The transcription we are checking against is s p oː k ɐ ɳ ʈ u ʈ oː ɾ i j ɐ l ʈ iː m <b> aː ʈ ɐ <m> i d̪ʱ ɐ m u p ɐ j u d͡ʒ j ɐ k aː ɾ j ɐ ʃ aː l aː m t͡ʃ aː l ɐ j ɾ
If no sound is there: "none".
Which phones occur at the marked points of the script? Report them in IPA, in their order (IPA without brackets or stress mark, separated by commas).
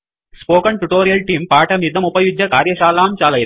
p, m